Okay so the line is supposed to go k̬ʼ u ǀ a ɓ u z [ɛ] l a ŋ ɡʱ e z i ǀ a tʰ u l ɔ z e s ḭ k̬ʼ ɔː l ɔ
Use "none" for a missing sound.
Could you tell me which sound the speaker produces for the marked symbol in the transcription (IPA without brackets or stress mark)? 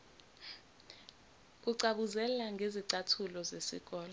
ɛ